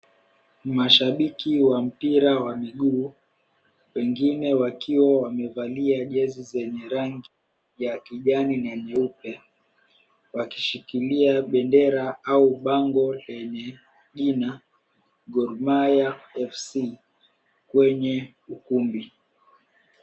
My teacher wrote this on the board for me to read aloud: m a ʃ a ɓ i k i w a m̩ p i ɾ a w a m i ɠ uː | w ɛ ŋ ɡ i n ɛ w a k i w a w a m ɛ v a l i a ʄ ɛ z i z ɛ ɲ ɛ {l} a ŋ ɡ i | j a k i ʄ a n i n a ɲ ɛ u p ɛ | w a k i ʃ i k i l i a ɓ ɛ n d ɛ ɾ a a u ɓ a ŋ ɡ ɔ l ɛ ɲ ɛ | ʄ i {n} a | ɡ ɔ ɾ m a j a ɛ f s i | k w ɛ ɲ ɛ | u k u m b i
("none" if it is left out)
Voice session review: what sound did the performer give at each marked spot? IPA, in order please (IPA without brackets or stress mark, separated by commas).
ɾ, n